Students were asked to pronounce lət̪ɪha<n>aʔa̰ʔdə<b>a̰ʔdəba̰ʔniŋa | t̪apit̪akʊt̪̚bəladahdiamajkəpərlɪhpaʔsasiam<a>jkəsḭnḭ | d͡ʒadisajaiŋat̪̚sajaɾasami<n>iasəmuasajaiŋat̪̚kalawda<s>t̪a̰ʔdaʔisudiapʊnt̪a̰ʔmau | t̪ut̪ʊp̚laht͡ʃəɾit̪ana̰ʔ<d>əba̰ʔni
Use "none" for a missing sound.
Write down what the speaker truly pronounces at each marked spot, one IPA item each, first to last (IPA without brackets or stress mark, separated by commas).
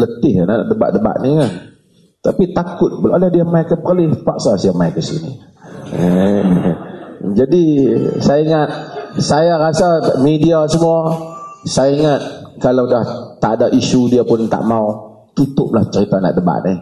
n, b, a, d, h, d